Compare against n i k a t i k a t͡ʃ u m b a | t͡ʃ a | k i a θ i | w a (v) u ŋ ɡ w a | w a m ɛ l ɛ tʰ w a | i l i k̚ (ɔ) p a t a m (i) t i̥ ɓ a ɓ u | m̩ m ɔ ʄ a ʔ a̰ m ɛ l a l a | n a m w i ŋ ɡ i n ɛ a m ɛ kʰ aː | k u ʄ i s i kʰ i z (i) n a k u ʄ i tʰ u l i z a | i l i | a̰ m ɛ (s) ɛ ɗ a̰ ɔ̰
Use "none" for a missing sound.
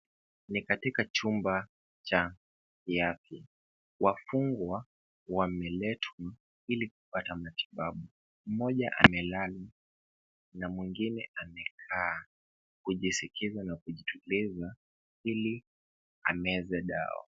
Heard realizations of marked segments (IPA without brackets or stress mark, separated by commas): f, u, a, a, z